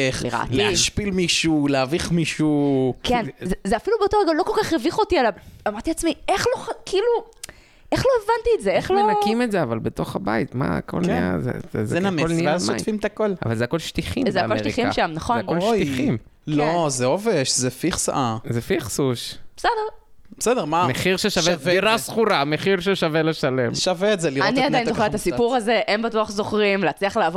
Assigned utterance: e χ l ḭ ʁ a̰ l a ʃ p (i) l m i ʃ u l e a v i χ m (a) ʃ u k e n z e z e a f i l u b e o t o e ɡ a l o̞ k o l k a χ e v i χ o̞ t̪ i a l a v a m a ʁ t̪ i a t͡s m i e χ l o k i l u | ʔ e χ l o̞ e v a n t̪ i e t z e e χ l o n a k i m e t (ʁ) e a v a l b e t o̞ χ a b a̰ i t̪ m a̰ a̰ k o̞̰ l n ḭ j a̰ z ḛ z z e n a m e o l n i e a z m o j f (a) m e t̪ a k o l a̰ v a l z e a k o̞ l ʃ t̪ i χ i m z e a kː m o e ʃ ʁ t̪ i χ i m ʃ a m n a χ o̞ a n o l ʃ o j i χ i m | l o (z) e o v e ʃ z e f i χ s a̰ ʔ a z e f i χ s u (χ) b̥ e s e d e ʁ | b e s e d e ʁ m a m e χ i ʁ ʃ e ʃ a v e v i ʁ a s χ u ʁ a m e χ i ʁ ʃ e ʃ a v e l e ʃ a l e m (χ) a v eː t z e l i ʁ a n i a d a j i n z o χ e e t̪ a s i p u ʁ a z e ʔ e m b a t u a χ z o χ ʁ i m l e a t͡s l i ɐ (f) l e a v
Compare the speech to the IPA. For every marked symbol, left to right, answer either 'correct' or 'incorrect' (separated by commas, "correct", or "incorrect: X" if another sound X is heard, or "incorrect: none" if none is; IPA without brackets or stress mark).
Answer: correct, incorrect: i, incorrect: z, incorrect: i, correct, incorrect: ʃ, incorrect: ʃ, incorrect: χ